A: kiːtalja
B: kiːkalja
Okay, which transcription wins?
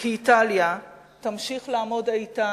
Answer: A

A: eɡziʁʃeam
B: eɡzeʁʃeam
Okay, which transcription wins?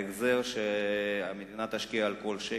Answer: B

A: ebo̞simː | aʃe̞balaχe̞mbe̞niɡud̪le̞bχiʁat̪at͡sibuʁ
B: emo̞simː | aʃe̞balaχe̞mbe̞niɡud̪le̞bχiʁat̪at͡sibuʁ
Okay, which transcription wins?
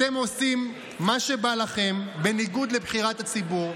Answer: B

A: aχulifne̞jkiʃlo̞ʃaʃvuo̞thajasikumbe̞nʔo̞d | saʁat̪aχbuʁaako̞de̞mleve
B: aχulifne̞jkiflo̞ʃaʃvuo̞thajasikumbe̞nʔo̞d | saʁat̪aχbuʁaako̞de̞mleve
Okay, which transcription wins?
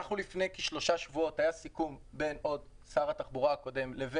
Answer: A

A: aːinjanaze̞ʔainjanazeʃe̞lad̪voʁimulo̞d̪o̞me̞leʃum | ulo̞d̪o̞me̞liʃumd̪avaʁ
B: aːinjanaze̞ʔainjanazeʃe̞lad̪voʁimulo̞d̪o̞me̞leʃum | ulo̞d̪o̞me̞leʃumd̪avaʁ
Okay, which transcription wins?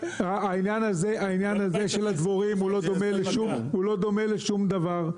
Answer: B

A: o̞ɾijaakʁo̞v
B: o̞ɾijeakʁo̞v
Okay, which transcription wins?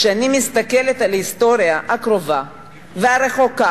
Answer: A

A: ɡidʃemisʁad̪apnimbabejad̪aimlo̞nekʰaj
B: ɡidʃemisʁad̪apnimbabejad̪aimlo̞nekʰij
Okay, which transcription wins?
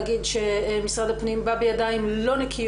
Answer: B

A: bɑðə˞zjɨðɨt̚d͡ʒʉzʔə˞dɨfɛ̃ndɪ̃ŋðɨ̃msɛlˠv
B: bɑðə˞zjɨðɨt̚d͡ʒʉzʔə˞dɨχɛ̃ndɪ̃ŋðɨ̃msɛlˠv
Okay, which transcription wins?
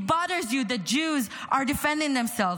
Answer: A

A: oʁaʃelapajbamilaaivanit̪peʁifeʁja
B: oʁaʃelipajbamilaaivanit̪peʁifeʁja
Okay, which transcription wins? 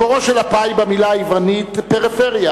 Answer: A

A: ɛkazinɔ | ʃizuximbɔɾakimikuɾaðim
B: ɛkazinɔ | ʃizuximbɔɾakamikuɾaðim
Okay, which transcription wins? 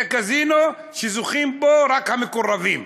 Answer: B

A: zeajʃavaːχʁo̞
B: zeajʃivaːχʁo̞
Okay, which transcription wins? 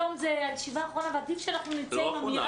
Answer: B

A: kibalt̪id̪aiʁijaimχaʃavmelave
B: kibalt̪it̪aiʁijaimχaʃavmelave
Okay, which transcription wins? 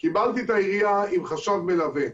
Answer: B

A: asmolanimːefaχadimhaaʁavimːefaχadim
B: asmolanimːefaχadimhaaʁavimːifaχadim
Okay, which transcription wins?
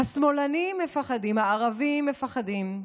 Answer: A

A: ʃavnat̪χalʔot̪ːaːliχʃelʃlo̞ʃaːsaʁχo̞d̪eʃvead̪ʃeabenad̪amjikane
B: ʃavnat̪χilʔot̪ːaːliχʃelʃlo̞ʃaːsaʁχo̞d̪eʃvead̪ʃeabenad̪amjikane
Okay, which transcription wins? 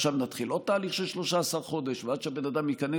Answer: B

